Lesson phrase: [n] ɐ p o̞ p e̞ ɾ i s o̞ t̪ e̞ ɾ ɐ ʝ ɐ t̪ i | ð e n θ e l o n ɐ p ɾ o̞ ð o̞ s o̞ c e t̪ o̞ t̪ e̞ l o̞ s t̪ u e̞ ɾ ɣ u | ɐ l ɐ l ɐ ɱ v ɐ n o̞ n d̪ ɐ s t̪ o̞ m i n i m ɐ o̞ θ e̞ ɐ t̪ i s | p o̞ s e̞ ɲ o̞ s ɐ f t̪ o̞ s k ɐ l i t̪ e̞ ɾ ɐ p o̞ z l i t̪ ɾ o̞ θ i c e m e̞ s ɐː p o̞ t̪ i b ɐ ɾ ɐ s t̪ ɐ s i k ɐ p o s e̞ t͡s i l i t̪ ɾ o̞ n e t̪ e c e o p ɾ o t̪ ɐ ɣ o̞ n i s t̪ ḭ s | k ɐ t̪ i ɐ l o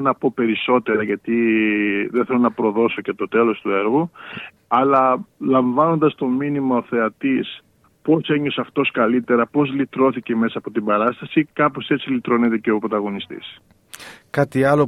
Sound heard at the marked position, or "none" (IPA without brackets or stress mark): n